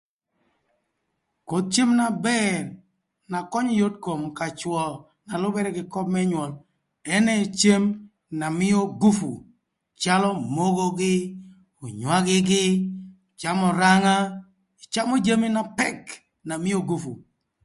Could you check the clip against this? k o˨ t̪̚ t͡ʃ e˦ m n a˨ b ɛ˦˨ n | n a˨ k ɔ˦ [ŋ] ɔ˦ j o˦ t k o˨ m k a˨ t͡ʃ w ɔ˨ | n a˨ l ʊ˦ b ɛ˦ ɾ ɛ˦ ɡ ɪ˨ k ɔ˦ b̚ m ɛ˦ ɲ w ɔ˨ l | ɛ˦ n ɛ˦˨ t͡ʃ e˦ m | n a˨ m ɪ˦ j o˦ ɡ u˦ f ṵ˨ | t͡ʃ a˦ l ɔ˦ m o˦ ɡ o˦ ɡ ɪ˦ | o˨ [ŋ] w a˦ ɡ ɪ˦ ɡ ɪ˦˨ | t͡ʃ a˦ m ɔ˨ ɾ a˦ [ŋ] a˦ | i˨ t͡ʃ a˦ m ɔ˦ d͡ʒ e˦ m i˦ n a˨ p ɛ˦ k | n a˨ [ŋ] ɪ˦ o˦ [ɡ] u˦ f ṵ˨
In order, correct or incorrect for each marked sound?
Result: incorrect, incorrect, correct, incorrect, correct

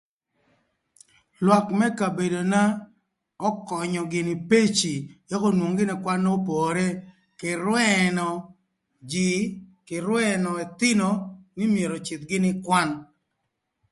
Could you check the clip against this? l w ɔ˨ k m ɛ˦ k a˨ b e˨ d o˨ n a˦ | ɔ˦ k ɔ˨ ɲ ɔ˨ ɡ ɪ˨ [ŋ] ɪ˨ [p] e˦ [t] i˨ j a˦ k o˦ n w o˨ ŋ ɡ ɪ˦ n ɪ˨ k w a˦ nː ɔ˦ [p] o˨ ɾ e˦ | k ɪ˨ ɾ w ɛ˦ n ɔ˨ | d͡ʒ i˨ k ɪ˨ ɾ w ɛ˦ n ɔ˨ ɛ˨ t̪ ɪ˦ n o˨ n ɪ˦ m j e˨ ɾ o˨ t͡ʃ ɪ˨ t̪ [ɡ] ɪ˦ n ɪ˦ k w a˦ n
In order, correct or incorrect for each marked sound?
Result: incorrect, correct, incorrect, correct, correct

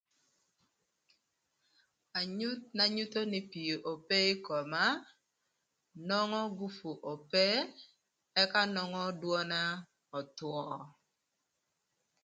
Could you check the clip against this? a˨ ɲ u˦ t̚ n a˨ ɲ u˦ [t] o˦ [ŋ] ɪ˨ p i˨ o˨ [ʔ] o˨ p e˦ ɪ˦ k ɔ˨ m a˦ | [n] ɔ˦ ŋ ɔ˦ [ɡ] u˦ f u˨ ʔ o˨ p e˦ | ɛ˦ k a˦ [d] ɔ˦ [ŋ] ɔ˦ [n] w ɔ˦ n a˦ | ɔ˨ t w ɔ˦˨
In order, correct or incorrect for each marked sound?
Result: correct, incorrect, correct, correct, correct, incorrect, correct, incorrect

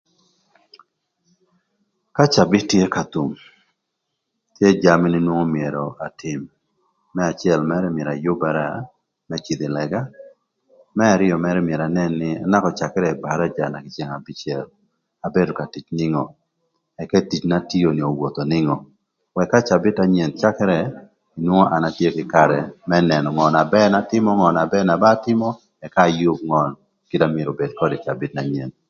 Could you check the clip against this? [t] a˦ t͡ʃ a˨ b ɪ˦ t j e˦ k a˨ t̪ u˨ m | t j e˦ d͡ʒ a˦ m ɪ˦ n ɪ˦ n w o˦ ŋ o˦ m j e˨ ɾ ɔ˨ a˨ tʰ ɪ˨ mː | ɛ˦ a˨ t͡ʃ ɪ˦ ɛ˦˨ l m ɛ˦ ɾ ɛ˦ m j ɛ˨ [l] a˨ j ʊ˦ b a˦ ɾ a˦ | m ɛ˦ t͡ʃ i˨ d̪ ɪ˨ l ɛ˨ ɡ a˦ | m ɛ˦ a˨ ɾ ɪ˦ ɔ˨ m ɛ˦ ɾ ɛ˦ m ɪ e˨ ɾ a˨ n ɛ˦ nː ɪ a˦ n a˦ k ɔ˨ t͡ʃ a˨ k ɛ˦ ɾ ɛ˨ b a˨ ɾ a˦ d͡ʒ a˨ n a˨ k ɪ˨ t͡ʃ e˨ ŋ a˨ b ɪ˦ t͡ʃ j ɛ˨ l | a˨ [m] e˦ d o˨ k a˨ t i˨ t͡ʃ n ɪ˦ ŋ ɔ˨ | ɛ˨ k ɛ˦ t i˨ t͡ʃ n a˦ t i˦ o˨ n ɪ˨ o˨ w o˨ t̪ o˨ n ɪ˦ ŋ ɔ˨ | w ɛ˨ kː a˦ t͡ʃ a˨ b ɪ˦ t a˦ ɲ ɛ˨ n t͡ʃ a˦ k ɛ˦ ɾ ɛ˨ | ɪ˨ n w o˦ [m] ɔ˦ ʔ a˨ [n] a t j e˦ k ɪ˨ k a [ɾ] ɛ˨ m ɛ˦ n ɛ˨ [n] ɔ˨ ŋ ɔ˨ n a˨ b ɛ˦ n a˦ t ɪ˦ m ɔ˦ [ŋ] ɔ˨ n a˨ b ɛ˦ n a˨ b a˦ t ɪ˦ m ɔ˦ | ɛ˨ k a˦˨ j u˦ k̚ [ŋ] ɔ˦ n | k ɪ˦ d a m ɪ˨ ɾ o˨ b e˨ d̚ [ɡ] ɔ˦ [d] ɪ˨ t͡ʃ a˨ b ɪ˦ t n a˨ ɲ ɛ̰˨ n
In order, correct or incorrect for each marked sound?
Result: incorrect, incorrect, incorrect, incorrect, correct, correct, correct, correct, correct, incorrect, correct

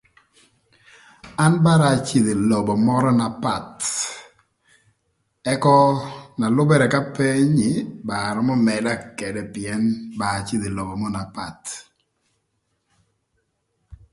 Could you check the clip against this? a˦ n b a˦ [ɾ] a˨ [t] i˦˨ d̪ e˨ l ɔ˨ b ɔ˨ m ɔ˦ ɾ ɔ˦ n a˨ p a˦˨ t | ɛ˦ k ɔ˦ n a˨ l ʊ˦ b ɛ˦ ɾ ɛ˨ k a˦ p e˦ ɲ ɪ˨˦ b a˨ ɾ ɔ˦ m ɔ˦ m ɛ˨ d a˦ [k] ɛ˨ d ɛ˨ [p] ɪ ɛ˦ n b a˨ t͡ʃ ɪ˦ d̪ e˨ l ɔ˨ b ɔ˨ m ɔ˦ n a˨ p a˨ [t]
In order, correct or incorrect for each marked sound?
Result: correct, incorrect, correct, correct, correct

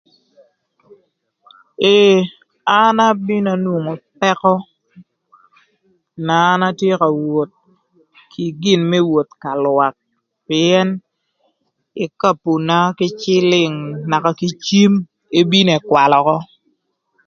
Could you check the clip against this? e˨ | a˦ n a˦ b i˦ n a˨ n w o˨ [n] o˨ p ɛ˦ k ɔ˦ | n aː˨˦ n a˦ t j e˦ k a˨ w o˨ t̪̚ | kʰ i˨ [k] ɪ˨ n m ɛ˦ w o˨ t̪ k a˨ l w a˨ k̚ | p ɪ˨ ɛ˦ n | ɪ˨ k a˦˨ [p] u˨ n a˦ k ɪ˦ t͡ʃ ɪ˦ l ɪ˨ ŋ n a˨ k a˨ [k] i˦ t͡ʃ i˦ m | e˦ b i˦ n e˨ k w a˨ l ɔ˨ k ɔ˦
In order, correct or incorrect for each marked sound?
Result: incorrect, incorrect, correct, correct

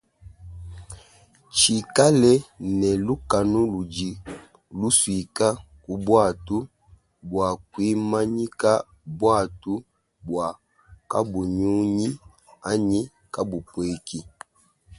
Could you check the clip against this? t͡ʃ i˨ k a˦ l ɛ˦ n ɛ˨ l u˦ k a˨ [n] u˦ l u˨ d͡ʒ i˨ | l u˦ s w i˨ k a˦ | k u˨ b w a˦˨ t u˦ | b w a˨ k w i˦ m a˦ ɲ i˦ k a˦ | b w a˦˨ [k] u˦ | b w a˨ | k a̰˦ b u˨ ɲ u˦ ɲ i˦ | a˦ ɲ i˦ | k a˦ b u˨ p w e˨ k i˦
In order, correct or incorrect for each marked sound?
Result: correct, incorrect

